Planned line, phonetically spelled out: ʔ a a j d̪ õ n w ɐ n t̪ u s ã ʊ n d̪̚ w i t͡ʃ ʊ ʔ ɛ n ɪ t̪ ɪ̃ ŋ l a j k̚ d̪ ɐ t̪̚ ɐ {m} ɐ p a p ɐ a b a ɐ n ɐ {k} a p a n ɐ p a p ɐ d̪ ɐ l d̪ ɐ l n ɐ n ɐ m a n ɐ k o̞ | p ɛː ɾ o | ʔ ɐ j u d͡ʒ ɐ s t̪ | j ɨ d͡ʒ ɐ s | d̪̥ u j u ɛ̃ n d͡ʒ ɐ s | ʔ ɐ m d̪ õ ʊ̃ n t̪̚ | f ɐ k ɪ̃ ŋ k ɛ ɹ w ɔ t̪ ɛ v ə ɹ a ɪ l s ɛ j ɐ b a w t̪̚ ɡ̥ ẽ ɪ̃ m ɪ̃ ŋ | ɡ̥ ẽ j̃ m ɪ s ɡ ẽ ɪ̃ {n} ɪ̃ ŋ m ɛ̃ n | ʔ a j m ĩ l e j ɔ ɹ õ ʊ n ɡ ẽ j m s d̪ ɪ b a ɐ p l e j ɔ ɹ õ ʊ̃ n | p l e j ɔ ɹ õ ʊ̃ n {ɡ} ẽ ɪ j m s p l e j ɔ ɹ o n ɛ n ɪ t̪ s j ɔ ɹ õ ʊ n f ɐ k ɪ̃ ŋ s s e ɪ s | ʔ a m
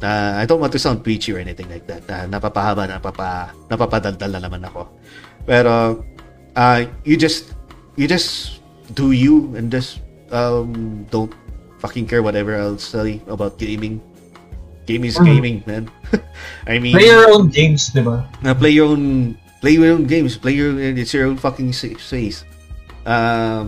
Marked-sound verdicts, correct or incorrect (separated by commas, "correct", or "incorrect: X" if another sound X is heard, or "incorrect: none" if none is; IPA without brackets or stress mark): incorrect: n, incorrect: p, incorrect: m, correct